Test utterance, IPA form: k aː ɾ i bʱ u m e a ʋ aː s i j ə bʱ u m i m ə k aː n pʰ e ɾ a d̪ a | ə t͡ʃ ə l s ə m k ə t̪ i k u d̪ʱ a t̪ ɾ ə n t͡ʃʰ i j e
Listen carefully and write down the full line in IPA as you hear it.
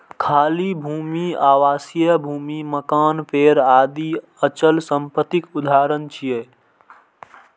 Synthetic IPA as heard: kʰ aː l i bʱ u m i a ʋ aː s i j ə bʱ u m i m ə k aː n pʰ e ɾ a d̪ i | ə t͡ʃ ə l s ə m p ə t̪ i k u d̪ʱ a ɾ ə n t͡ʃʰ i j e